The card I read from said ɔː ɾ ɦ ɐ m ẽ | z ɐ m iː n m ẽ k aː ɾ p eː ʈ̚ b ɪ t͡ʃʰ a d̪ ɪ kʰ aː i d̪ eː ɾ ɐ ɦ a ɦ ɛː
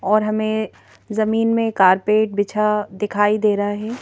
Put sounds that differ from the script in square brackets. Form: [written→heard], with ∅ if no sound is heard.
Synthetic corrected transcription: ɔː ɾ ɦ ɐ m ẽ | z ɐ m iː n m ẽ k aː ɾ p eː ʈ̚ b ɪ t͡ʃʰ a d̪ ɪ kʰ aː i d̪ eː ɾ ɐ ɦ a ɦ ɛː